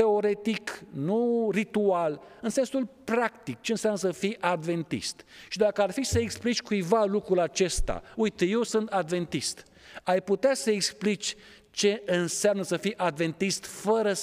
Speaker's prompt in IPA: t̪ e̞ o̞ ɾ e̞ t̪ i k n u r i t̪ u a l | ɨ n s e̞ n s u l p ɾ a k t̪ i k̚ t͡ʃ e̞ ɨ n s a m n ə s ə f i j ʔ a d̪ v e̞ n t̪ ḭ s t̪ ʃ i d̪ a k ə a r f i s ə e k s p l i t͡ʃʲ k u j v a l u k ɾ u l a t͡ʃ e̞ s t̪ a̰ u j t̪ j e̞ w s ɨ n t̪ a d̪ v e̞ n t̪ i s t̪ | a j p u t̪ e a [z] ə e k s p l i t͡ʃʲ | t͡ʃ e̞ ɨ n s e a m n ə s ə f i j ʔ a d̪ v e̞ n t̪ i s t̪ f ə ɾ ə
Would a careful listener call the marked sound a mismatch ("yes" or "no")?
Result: yes